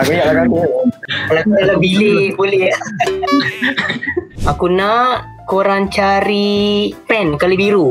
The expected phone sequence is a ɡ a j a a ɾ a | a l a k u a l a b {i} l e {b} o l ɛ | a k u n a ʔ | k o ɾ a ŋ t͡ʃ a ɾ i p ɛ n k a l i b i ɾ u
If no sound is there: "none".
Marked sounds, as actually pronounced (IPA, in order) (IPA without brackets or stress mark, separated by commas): i, b